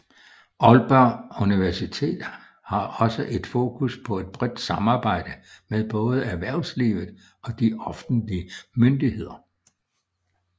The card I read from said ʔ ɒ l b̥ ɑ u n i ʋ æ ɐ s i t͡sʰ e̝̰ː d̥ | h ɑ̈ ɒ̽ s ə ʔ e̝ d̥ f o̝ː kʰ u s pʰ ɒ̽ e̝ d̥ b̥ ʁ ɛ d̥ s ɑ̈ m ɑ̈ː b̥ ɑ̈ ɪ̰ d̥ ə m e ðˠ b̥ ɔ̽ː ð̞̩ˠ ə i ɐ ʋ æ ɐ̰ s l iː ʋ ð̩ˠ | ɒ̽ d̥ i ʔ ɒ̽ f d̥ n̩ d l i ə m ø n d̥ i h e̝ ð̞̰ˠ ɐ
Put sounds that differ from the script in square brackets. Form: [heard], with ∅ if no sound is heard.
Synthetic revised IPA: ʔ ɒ l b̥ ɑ u n i ʋ æ ɐ s i t͡sʰ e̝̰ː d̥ | h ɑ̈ ɒ̽ s ə ʔ e̝ d̥ f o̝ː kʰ u s pʰ ɒ̽ e̝ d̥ b̥ ʁ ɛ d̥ s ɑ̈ m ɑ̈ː b̥ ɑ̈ ɪ̰ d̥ ə m e ðˠ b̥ ɔ̽ː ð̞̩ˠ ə [æ] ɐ ʋ æ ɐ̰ s l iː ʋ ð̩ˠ | ɒ̽ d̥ i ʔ ɒ̽ f d̥ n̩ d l i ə m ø n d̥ i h e̝ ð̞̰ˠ ɐ

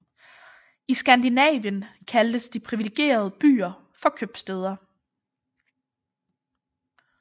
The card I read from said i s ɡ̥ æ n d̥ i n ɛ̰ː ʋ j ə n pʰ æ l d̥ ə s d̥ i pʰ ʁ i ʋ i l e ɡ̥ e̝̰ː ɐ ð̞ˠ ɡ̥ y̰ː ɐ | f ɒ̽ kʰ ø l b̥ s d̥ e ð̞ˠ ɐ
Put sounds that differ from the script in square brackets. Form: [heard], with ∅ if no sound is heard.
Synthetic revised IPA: i s ɡ̥ æ n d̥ i n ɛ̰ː ʋ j ə n [kʰ] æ l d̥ ə s d̥ i pʰ ʁ i ʋ i l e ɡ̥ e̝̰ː ɐ ð̞ˠ [b̥] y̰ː ɐ | f ɒ̽ kʰ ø [∅] b̥ s d̥ e ð̞ˠ ɐ

